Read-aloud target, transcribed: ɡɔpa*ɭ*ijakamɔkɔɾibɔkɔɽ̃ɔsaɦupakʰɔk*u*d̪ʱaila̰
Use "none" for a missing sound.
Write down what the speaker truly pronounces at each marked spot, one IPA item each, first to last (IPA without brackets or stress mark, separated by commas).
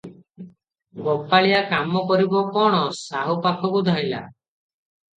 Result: ɭ, u